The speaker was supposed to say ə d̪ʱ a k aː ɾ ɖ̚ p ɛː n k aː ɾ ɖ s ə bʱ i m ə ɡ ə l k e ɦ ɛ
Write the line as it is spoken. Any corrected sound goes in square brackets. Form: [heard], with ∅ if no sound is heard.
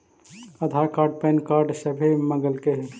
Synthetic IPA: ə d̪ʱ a k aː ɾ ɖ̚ p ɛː n k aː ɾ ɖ s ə bʱ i m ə ɡ ə l k e ɦ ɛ

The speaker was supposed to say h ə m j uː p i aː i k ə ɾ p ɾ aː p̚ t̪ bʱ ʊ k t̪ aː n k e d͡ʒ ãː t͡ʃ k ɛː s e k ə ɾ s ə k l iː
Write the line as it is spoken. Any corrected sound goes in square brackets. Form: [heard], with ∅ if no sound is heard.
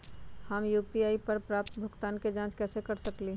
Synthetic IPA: h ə m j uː p i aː i [p] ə ɾ p ɾ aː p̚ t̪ bʱ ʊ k t̪ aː n k e d͡ʒ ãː t͡ʃ k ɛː s e k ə ɾ s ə k l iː

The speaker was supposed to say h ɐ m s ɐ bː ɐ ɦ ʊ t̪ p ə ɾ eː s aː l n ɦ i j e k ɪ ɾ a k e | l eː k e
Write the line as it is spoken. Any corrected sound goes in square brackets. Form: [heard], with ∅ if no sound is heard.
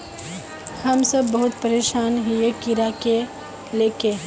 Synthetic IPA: h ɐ m s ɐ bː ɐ ɦ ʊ t̪ p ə ɾ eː [ʃ] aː [∅] n ɦ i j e k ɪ ɾ a k e | l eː k e

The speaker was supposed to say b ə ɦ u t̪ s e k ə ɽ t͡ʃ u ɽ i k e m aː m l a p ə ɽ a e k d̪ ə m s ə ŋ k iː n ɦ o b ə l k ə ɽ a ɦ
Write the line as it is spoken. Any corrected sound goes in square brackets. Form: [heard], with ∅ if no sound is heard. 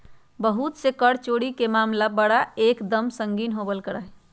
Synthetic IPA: b ə ɦ u t̪ s e k ə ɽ t͡ʃ [o] ɽ i k e m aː m l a [b] ə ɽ a e k d̪ ə m s ə ŋ [ɡ] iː n ɦ o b ə l k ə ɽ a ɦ

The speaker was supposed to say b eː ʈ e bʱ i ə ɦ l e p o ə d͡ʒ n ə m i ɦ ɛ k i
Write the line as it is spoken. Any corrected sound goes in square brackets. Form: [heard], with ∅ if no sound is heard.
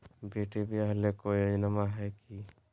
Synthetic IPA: b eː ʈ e bʱ i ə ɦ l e [k] o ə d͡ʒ n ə m [a] ɦ ɛ k i

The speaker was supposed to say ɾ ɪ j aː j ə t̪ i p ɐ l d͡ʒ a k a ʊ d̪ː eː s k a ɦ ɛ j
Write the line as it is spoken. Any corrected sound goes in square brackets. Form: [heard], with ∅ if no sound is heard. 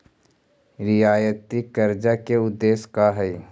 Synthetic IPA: ɾ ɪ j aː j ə t̪ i [k] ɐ [ɾ] d͡ʒ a k [e] ʊ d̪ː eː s k a ɦ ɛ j

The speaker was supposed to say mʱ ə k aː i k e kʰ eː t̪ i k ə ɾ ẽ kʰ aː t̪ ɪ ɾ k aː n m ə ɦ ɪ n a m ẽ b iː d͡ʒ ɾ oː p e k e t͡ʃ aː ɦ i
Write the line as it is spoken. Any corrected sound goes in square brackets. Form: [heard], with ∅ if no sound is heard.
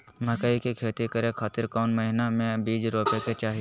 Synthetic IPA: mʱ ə k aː i k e kʰ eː t̪ i k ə ɾ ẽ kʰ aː t̪ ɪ ɾ k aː n m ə ɦ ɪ n a m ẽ b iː d͡ʒ ɾ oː p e k e t͡ʃ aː ɦ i

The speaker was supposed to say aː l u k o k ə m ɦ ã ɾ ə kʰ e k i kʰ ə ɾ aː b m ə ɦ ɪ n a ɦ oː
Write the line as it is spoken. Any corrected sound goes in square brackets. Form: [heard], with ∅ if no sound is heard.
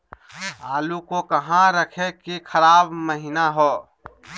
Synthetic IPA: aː l u k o k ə [∅] ɦ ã ɾ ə kʰ e k i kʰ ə ɾ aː b m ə ɦ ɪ n a ɦ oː

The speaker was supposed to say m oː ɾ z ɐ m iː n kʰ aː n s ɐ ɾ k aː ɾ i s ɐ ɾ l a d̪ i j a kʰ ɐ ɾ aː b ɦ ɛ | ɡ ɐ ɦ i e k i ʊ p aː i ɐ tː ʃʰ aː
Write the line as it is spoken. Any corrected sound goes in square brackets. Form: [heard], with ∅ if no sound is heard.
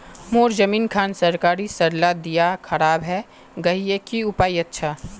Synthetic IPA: m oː ɾ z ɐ m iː n kʰ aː n s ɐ ɾ k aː ɾ i s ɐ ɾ l a d̪ i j a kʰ ɐ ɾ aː b ɦ ɛ | ɡ ɐ ɦ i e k i ʊ p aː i ɐ tː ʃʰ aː

